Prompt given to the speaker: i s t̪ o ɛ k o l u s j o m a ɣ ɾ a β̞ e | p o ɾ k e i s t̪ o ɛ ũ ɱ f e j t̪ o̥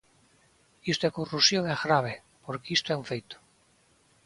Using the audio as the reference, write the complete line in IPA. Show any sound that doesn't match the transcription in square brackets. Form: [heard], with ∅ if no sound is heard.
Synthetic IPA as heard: i s t̪ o ɛ k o [r] u s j o [ŋ] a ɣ ɾ a β̞ e | p o ɾ k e i s t̪ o ɛ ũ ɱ f e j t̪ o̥